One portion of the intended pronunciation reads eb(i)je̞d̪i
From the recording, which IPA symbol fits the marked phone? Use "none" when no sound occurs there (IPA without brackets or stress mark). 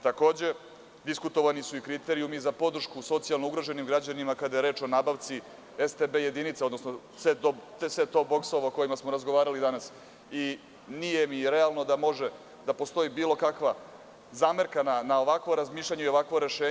e